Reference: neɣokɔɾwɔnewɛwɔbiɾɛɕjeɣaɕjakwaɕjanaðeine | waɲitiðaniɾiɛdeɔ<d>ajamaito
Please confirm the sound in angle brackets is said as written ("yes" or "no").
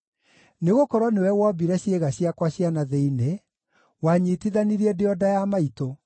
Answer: yes